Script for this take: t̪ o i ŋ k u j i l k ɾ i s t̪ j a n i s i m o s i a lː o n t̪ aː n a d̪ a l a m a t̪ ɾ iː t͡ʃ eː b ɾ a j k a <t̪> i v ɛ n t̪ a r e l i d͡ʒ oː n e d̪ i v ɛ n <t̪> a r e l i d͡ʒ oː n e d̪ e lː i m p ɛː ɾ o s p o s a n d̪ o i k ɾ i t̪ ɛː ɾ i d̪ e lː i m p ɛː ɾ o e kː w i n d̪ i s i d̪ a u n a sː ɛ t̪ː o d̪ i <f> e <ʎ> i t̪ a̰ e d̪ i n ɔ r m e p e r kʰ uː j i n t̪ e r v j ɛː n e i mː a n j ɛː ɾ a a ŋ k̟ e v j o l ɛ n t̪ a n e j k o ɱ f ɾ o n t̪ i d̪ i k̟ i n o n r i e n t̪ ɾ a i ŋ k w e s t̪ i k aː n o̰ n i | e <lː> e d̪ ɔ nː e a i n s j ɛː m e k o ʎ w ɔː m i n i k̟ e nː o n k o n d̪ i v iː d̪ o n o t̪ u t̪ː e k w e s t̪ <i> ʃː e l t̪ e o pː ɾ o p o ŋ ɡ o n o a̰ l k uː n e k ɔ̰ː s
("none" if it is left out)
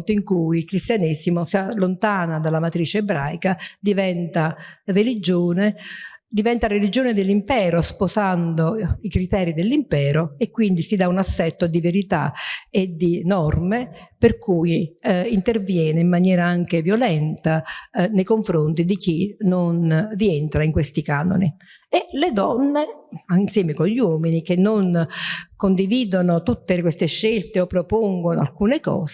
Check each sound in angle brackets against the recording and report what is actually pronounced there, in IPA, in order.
d̪, t̪, v, ɾ, l, e

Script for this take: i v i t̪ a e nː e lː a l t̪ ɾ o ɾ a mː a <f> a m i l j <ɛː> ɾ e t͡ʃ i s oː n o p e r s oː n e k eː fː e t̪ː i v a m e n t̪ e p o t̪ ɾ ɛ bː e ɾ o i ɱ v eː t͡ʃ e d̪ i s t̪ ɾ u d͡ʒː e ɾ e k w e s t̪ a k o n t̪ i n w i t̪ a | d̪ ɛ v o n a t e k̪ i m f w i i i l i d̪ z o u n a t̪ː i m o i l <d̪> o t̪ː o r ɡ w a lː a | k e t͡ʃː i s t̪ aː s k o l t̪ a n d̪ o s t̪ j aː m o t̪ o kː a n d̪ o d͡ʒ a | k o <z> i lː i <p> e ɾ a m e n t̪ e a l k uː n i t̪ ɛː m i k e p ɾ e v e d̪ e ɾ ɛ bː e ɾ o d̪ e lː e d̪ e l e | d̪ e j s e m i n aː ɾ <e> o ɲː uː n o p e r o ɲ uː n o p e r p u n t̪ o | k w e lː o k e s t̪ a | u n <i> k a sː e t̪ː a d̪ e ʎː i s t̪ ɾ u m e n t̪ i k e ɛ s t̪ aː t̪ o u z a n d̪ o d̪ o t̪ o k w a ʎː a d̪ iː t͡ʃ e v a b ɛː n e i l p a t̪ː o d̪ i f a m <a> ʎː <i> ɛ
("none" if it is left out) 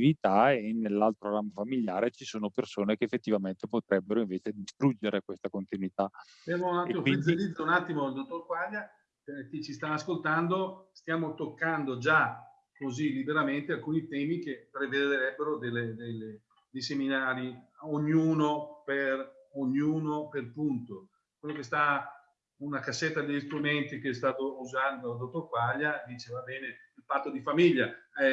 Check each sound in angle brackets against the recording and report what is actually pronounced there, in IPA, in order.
f, aː, d̪, z, b, i, a, i, a

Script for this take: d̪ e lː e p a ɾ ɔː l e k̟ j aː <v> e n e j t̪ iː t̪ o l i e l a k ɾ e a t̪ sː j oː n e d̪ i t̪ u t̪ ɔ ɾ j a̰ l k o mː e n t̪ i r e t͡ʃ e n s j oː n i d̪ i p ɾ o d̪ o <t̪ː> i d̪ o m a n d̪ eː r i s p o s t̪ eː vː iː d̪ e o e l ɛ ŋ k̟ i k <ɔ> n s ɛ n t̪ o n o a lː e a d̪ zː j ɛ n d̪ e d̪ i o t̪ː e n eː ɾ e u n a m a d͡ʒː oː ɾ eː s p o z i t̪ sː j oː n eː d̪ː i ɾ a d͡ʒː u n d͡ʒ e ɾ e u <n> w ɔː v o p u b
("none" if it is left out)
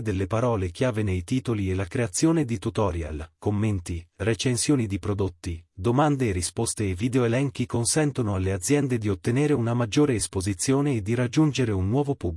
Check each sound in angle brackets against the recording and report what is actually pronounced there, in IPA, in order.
v, t̪ː, o, nː

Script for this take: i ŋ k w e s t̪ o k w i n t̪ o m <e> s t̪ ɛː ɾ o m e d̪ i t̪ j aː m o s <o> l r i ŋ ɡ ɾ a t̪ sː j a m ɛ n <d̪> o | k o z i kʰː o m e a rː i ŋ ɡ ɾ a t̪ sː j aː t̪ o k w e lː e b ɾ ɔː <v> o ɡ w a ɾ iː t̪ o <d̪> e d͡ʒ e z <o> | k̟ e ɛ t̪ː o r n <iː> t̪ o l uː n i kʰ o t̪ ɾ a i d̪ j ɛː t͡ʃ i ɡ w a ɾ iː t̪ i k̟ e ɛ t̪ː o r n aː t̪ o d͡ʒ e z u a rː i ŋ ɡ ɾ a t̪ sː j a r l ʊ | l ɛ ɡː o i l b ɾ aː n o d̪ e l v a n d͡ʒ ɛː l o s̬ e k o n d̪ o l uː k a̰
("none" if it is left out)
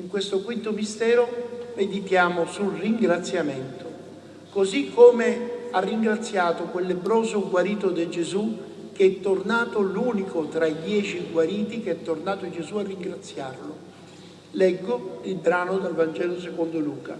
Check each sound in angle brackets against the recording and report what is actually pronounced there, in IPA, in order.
i, u, t̪, z, d̪, u, aː

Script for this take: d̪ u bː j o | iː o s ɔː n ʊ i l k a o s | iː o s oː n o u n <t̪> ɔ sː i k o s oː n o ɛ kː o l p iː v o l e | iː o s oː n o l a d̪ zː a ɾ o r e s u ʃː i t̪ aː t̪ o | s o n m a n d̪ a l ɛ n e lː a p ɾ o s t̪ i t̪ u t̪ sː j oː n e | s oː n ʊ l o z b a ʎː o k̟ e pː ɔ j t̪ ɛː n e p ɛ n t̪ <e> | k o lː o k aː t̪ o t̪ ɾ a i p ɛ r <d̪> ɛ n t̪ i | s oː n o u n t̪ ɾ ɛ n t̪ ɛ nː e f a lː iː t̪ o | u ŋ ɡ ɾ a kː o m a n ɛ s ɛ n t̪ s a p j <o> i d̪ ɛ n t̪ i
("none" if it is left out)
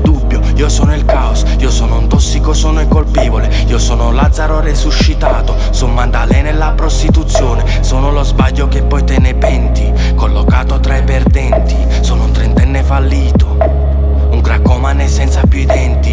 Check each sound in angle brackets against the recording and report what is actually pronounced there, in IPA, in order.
t̪, i, d̪, u

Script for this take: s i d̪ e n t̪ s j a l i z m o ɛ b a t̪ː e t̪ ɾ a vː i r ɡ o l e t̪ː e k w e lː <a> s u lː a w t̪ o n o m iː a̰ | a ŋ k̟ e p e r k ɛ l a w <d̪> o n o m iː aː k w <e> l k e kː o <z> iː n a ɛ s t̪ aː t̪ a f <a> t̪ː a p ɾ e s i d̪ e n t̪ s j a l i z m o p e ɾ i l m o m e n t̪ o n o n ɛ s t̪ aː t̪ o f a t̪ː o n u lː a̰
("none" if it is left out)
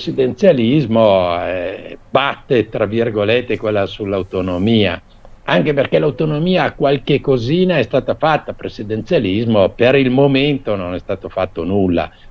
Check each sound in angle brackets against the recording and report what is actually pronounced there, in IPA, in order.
a, t̪, a, z, a

